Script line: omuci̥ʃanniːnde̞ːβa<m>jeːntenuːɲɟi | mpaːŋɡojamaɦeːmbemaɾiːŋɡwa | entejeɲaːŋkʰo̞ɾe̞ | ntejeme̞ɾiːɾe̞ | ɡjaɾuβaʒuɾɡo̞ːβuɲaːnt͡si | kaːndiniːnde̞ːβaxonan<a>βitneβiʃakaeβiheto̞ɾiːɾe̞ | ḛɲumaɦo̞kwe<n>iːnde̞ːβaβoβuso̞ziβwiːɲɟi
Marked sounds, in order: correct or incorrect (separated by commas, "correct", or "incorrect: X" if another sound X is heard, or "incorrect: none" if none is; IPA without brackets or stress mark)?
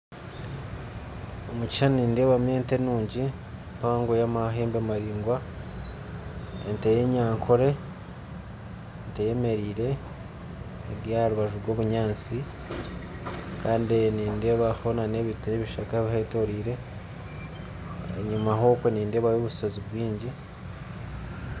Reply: correct, incorrect: e, correct